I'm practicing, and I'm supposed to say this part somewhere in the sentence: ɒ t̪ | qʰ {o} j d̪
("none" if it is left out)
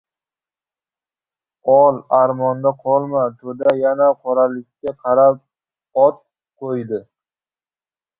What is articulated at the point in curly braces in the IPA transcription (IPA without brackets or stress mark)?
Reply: o